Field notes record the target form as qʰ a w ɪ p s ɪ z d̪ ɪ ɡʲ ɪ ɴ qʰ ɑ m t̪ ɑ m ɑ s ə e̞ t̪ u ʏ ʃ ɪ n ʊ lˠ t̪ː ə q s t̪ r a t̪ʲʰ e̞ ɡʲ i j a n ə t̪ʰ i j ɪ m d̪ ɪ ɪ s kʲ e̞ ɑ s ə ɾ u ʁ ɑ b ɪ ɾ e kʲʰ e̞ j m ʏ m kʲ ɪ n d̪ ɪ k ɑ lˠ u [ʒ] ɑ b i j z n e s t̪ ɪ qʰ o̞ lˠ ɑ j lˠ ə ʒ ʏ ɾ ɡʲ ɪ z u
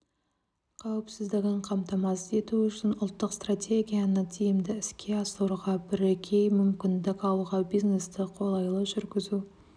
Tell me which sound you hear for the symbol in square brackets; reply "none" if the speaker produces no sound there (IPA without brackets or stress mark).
ʁ